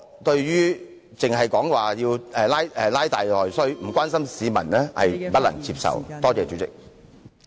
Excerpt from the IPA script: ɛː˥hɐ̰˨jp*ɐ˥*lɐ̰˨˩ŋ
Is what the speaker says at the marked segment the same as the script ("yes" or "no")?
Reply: yes